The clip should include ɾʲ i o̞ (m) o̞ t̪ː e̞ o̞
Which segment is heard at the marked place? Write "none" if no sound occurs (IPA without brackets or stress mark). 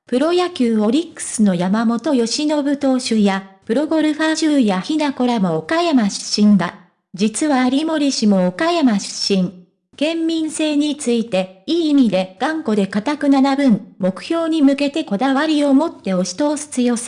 m